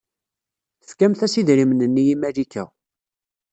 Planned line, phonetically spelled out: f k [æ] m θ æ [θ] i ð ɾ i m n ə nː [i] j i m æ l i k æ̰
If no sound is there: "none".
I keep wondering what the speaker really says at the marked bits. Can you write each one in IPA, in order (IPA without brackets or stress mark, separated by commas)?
æ, s, i